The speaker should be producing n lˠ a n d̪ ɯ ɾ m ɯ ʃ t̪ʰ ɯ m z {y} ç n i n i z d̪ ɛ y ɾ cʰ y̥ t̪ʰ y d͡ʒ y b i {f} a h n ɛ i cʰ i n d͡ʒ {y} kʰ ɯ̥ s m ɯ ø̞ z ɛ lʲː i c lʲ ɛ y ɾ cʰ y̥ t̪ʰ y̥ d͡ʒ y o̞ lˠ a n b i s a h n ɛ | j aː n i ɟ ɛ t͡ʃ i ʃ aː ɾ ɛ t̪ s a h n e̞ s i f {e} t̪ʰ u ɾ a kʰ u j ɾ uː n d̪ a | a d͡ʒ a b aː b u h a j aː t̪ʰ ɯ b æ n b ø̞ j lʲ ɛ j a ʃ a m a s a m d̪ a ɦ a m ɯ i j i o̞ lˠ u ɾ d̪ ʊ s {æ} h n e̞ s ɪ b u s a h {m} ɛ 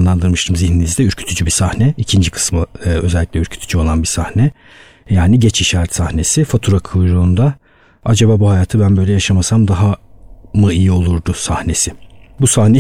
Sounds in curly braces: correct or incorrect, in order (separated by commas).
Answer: incorrect, incorrect, incorrect, incorrect, incorrect, incorrect